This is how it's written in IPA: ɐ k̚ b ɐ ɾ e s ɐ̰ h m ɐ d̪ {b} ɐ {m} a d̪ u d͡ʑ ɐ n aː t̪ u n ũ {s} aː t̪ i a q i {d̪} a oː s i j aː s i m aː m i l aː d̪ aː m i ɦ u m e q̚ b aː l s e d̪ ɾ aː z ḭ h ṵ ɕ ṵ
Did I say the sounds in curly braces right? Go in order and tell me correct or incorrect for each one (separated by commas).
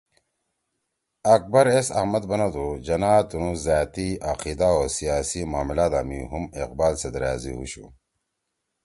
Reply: correct, incorrect, incorrect, correct